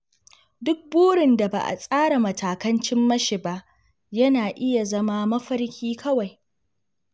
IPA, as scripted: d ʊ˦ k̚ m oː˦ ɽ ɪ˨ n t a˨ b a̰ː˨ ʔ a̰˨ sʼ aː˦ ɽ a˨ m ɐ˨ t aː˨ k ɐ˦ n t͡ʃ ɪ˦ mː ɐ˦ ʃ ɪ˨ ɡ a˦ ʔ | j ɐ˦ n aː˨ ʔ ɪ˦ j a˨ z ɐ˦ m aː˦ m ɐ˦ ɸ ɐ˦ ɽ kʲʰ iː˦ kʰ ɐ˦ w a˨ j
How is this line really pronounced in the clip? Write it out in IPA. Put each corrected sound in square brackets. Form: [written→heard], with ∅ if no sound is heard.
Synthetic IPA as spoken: d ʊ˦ k̚ [m→b] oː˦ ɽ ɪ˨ n [t→d] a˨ b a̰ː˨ ʔ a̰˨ sʼ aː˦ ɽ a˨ m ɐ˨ t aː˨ k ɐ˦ n t͡ʃ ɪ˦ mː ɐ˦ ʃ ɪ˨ [ɡ→b] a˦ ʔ | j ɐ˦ n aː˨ ʔ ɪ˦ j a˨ z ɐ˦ m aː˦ m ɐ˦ ɸ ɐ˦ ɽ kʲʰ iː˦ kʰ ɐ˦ w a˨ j